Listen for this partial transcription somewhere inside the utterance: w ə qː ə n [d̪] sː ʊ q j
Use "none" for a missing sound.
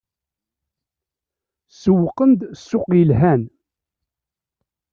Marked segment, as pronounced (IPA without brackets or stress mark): d̪